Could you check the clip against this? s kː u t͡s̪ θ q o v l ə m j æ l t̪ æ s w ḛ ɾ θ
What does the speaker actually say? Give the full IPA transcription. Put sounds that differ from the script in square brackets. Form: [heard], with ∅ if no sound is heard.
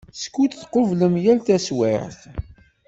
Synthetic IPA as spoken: s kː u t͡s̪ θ q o v l ə m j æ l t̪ æ s w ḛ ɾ θ